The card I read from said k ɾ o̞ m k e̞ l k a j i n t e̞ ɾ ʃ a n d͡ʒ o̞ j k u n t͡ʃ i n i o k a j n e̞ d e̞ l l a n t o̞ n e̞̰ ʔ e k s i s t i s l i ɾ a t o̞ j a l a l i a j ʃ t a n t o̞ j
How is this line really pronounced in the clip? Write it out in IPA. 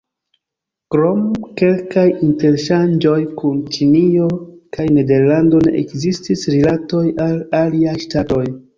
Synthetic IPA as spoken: k ɾ o̞ m k e̞ l k a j i n t e̞ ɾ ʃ a n d͡ʒ o̞ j k u n t͡ʃ i n i o k a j n e̞ d e̞ ɾ l a n d o̞ n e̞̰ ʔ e k z i s t i s ɾ i l a t o̞ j a l a l i a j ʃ t a t o̞ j

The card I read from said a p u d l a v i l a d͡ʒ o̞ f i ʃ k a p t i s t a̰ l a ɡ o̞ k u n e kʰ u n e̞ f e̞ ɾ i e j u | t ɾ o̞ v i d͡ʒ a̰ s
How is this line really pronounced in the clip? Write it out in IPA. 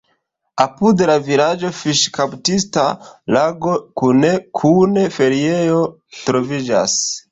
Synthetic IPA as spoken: a p u d l a v i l a d͡ʒ o̞ f i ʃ k a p t i s t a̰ l a ɡ o̞ k u n e kʰ u n e̞ f e̞ ɾ i e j o | t ɾ o̞ v i d͡ʒ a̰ s

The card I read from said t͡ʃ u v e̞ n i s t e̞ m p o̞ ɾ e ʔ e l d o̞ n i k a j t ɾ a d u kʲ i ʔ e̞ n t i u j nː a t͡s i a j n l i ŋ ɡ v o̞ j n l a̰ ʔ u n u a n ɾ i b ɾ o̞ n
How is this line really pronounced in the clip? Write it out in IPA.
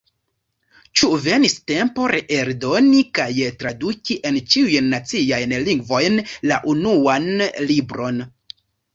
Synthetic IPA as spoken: t͡ʃ u v e̞ n i s t e̞ m p o̞ ɾ e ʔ e ɾ d o̞ n i k a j t ɾ a d u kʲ i ʔ e̞ n t͡ʃ i u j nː a t͡s i a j n l i ŋ ɡ v o̞ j n l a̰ ʔ u n u a n l i b ɾ o̞ n

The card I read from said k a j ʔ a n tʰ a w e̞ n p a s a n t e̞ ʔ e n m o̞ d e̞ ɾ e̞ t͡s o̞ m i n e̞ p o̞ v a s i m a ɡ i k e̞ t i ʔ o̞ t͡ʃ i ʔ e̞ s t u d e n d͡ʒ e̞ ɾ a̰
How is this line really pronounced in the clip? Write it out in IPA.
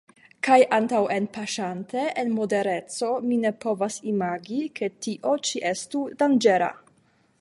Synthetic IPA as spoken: k a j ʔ a n t a w e̞ n p a ʃ a n t e̞ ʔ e n m o̞ d e̞ ɾ e̞ t͡s o̞ m i n e̞ p o̞ v a s i m a ɡ i k e̞ t i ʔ o̞ t͡ʃ i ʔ e̞ s t u d a n d͡ʒ e̞ ɾ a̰

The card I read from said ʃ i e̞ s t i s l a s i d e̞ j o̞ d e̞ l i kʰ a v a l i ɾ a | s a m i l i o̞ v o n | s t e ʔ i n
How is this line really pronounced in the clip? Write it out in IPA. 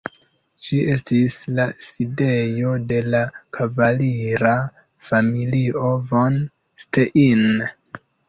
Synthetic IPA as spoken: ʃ i e̞ s t i s l a s i d e̞ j o̞ d e̞ l a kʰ a v a l i ɾ a | f a m i l i o̞ v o n | s t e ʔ i n

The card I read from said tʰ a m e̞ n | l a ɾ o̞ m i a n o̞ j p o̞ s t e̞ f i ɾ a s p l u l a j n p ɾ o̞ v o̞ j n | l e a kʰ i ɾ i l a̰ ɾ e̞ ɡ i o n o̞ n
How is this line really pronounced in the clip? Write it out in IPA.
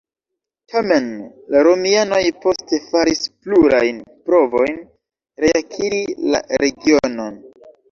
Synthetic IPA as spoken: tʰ a m e̞ n | l a ɾ o̞ m i a n o̞ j p o̞ s t e̞ f a ɾ i s p l u ɾ a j n p ɾ o̞ v o̞ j n | ɾ e a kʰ i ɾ i l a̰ ɾ e̞ ɡ i o n o̞ n

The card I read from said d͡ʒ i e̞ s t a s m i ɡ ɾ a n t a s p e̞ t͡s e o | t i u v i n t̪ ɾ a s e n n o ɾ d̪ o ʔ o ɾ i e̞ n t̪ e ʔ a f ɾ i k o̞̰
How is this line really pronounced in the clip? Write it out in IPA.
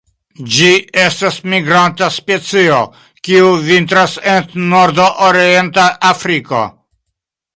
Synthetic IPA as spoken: d͡ʒ i e̞ s t a s m i ɡ ɾ a n t a s p e̞ t͡s i o | k i u v i n t̪ ɾ a s e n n o ɾ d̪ o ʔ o ɾ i e̞ n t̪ a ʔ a f ɾ i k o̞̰

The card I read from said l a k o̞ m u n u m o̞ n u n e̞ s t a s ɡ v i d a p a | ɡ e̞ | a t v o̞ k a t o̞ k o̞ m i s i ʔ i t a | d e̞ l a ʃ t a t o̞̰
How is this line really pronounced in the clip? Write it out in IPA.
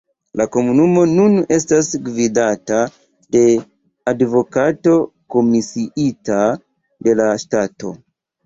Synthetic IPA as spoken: l a k o̞ m u n u m o̞ n u n e̞ s t a s ɡ v i d a t a | d e̞ | a d v o̞ k a t o̞ k o̞ m i s i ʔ i t a | d e̞ l a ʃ t a t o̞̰

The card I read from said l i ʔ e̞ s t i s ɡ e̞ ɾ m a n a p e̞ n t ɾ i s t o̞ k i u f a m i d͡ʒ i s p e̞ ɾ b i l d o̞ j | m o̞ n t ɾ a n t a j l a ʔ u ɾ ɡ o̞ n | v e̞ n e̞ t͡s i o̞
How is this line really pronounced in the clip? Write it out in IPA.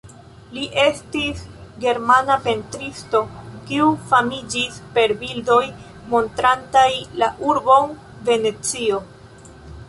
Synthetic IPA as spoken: l i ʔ e̞ s t i s ɡ e̞ ɾ m a n a p e̞ n t ɾ i s t o̞ k i u f a m i d͡ʒ i s p e̞ ɾ b i l d o̞ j | m o̞ n t ɾ a n t a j l a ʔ u ɾ b o̞ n | v e̞ n e̞ t͡s i o̞

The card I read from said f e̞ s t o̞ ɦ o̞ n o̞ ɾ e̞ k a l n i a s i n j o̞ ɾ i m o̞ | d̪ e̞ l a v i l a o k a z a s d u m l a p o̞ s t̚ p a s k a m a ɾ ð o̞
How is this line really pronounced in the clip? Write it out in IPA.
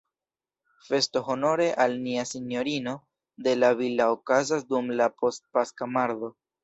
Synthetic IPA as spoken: f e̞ s t o̞ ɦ o̞ n o̞ ɾ e̞ ʔ a l n i a s i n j o̞ ɾ i n o̞ | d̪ e̞ l a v i l a o k a z a s d u m l a p o̞ s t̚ p a s k a m a ɾ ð o̞

